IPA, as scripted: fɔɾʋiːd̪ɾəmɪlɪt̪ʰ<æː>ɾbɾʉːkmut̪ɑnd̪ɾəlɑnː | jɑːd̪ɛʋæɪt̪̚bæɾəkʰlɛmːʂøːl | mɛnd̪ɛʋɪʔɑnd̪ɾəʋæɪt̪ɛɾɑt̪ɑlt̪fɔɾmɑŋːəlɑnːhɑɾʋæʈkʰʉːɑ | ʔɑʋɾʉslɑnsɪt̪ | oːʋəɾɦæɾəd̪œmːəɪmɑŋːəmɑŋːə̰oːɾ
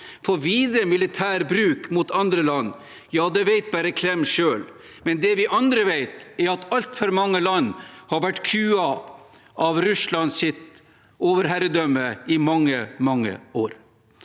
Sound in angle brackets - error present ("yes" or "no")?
no